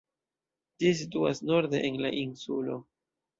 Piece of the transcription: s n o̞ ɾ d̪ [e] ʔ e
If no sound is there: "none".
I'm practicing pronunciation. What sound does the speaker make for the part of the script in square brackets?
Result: e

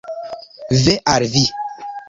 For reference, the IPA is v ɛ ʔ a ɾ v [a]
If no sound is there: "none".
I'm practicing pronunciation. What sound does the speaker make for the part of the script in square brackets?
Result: i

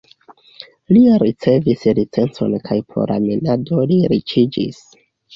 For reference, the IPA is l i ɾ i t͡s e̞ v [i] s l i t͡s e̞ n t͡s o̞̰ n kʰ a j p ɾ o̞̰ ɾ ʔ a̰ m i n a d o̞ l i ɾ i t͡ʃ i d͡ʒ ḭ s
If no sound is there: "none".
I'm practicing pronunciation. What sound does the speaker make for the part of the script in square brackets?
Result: i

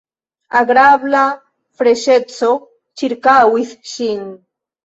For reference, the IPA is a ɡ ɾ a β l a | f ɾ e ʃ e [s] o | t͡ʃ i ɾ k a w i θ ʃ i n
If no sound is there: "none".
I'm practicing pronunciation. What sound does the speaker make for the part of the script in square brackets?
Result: t͡s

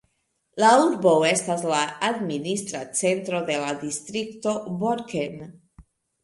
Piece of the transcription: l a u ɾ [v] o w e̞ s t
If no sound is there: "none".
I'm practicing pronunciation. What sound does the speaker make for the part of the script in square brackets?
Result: b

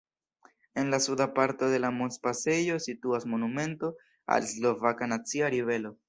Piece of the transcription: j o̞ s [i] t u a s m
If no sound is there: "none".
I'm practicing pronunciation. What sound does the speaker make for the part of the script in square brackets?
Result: i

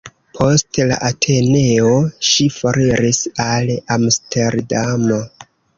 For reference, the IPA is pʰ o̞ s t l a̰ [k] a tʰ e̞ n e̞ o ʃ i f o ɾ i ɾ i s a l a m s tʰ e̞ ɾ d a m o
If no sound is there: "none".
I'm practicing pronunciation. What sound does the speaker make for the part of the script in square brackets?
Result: ʔ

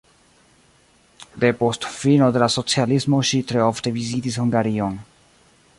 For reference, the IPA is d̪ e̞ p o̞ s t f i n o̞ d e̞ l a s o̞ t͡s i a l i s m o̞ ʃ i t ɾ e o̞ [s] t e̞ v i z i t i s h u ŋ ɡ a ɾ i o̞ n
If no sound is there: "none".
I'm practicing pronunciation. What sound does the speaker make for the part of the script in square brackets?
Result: f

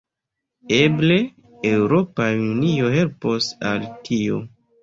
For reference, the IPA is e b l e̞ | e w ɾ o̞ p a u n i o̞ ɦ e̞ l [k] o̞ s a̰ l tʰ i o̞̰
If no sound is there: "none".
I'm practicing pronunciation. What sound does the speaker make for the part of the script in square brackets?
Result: p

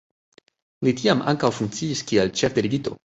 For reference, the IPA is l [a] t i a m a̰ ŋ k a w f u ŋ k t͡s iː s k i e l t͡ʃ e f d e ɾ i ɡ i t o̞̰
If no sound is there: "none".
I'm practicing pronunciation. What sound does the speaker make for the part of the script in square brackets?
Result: i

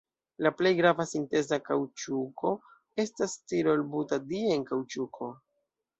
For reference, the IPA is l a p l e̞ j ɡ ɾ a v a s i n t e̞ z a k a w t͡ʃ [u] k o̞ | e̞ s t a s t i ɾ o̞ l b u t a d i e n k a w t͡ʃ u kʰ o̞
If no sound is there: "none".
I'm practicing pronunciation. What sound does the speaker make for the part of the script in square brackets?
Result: u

